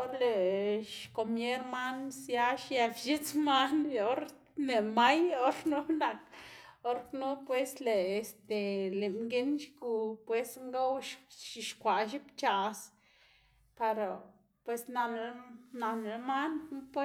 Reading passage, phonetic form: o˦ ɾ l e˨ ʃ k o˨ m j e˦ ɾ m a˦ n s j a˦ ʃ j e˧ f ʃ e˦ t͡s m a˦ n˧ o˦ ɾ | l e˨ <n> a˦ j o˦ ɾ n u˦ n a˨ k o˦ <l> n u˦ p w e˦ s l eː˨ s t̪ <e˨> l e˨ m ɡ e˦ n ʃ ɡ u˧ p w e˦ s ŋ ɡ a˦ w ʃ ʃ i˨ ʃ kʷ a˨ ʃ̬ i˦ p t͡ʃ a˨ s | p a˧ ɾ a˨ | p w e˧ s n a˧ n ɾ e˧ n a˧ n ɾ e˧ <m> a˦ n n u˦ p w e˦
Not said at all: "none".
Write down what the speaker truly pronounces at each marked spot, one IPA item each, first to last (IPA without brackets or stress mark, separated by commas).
m, ɾ, e˨, m